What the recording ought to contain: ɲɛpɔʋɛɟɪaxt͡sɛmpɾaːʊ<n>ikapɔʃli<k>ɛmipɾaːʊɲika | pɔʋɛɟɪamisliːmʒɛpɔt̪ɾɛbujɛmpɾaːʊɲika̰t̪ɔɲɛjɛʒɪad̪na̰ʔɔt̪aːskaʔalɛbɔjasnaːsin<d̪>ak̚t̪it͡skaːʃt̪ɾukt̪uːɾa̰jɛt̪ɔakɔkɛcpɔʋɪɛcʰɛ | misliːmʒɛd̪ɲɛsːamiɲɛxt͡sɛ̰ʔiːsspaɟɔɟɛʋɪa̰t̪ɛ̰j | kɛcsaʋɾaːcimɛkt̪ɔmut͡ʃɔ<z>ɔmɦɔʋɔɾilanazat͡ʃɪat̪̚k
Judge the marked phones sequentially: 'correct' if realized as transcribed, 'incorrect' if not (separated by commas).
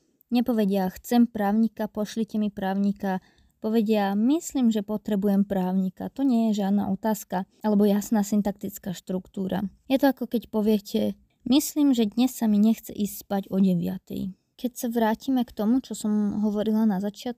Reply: incorrect, incorrect, incorrect, incorrect